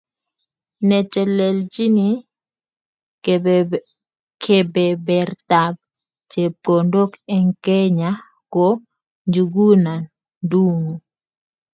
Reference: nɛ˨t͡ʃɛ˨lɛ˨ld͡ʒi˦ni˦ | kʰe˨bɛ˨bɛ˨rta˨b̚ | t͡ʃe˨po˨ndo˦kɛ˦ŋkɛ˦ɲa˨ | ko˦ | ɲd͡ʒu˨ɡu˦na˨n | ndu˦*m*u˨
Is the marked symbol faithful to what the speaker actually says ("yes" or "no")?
no